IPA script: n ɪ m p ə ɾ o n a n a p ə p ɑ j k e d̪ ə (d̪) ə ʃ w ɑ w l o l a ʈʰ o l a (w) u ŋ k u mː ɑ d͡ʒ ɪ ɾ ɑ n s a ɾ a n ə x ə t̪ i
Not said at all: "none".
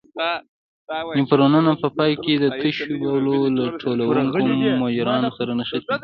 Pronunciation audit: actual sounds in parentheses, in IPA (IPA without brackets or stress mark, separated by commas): t̪, w